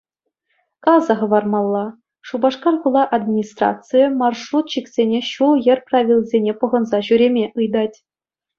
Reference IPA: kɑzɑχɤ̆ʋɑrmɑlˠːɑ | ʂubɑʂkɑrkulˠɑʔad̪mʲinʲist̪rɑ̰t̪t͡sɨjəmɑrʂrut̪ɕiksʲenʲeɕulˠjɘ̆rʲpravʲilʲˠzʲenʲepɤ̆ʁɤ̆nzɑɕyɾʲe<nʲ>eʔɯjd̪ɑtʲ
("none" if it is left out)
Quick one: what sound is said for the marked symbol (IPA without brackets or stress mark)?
mʲ